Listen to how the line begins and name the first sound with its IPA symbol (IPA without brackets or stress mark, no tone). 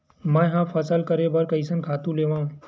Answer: m